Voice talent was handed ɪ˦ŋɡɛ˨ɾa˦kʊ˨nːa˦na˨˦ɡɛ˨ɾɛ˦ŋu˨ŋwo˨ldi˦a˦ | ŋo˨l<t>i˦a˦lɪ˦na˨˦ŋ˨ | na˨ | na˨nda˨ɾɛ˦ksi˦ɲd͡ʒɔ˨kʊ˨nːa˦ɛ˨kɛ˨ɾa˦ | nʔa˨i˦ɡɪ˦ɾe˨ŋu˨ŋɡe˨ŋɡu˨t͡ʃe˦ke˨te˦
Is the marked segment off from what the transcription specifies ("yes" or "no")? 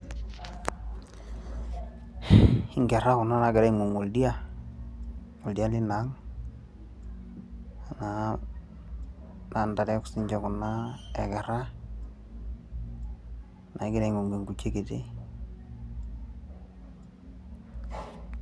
yes